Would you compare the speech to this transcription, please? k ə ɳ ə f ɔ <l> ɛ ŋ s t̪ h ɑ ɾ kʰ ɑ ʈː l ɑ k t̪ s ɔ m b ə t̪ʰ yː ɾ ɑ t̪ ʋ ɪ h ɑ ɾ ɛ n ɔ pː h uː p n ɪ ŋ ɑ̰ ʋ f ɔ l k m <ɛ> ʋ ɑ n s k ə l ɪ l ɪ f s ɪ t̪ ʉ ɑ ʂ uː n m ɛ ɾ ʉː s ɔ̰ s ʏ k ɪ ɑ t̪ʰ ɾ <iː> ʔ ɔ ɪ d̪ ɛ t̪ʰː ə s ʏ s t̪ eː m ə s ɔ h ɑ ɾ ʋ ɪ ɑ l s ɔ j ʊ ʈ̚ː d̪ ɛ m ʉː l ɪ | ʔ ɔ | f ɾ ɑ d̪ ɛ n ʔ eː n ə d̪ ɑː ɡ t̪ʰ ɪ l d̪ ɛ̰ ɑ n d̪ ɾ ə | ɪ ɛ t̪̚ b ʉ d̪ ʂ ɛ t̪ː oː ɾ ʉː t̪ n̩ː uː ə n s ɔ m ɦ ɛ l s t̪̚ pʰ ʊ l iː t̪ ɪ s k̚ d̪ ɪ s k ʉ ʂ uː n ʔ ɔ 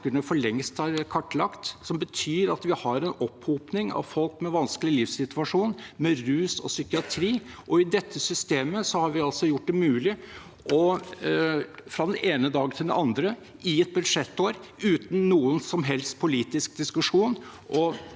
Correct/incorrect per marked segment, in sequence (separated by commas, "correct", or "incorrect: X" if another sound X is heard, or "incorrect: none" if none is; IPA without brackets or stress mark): incorrect: ɭ, correct, correct